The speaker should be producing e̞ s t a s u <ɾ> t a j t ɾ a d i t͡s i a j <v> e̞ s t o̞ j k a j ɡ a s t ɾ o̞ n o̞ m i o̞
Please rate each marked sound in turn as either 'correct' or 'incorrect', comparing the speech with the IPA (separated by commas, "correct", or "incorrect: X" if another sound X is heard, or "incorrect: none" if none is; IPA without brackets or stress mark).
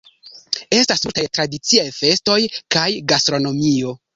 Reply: incorrect: l, incorrect: f